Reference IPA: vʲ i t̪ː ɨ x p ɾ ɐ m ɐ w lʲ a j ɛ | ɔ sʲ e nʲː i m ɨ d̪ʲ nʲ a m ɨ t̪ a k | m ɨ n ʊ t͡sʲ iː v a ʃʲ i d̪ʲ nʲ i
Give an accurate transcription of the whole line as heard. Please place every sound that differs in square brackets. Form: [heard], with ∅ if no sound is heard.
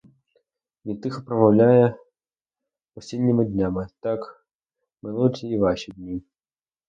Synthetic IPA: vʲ i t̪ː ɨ x p ɾ ɐ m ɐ w lʲ a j ɛ | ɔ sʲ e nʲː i m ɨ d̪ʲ nʲ a m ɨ t̪ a k | m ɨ n [u] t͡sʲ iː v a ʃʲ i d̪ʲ nʲ i